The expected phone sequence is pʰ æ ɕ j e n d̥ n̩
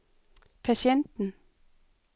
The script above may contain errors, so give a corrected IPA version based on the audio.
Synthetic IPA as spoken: pʰ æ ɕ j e n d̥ n̩